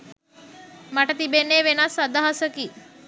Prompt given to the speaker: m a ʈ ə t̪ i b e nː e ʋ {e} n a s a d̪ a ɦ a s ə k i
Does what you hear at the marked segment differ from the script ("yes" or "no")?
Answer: no